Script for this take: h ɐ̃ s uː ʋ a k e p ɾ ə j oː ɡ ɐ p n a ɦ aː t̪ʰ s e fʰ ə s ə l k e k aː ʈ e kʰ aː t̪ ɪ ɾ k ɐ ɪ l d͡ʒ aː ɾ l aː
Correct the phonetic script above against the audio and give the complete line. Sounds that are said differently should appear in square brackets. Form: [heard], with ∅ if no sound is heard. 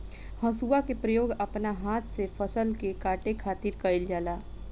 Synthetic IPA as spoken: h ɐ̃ s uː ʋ a k e p ɾ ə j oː ɡ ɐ p n a ɦ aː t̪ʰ s e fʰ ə s ə l k e k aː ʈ e kʰ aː t̪ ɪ ɾ k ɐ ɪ l d͡ʒ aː [∅] l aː